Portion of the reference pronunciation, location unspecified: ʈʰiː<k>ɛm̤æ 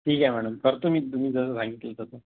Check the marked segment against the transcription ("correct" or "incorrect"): correct